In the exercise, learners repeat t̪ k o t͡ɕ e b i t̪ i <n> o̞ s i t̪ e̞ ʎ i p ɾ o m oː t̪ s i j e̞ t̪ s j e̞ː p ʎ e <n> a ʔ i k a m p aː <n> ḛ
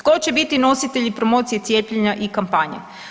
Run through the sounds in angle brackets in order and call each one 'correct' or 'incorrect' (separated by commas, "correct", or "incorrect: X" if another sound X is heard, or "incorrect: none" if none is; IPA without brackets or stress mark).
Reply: correct, incorrect: ɲ, incorrect: ɲ